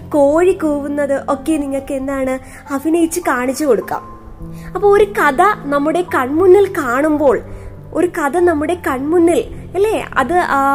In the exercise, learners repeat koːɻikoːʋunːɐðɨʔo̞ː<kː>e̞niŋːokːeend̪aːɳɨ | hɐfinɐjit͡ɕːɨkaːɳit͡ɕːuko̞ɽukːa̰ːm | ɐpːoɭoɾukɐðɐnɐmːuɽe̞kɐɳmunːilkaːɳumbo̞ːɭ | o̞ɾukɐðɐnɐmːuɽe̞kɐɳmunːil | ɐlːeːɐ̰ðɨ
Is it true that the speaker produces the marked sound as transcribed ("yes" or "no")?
yes